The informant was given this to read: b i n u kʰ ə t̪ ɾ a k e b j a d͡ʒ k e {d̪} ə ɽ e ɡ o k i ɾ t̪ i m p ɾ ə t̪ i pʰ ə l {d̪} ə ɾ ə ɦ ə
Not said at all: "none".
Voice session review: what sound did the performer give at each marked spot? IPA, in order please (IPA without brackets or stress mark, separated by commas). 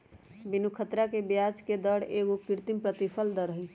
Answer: d̪, d̪